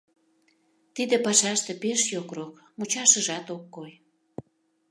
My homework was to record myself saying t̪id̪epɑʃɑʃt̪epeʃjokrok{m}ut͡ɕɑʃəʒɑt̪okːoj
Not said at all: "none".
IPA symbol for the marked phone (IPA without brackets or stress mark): m